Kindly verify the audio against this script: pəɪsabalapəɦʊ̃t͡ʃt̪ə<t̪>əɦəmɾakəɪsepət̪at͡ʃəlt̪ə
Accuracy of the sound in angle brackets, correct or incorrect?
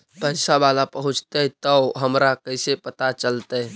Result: correct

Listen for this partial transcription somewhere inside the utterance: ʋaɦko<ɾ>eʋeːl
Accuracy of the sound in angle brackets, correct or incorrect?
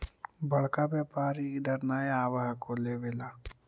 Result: incorrect: l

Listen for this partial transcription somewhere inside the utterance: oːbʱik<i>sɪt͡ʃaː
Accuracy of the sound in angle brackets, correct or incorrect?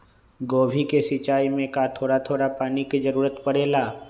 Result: incorrect: e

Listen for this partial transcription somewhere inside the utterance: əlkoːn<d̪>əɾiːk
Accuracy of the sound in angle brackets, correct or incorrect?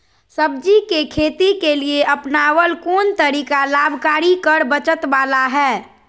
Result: incorrect: t̪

